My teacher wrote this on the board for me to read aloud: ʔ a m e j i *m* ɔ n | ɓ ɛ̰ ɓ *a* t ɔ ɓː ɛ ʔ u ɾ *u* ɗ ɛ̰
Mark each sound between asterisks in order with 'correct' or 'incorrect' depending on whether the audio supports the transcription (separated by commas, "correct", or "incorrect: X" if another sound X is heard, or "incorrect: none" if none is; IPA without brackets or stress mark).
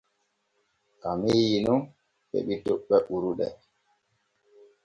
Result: incorrect: n, incorrect: i, correct